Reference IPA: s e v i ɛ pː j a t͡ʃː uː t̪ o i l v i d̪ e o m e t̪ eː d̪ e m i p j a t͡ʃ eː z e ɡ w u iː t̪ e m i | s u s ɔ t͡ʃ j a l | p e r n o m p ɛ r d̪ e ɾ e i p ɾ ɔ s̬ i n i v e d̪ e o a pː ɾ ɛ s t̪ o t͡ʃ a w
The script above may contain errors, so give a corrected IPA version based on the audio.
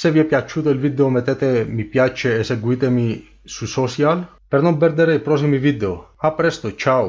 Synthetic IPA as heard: s e v i ɛ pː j a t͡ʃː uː t̪ o i l v i d̪ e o m e t̪ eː t̪ e m i p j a t͡ʃ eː s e ɡ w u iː t̪ e m i | s u s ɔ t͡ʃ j a l | p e r n o m p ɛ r d̪ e ɾ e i p ɾ ɔ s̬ i m i v i d̪ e o a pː ɾ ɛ s t̪ o t͡ʃ a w